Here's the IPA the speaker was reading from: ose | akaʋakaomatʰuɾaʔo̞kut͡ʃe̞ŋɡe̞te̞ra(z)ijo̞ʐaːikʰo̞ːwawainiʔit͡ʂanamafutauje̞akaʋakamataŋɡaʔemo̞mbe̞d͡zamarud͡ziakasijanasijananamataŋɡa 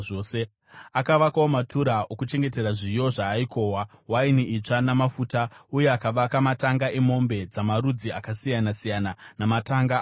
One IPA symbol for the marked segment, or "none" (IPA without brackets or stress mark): ʐ